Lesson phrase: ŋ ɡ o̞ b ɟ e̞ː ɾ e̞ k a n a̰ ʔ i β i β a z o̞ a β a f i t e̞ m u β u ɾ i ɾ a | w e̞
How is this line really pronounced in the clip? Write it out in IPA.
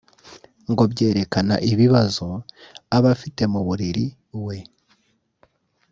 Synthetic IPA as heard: ŋ ɡ o̞ b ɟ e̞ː ɾ e̞ k a n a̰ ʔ i β i β a z o̞ a β a f i t e̞ m u β u ɾ i ɾ i | w e̞